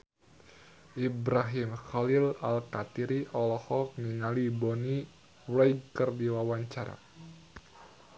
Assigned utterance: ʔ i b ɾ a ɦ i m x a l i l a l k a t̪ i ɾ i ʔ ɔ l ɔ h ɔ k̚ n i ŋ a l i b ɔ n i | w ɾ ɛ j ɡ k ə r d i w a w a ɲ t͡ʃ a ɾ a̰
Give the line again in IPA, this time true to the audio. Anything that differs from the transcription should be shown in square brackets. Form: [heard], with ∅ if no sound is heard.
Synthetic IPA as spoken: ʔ i b ɾ a ɦ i m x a l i l a l k a t̪ i ɾ i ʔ ɔ l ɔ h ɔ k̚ n i ŋ a l i b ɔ n i | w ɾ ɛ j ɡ k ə r d i w a w a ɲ t͡ʃ a ɾ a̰